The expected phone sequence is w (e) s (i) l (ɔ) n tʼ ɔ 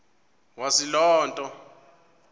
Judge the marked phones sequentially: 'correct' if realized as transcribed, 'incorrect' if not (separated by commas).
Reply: incorrect, correct, incorrect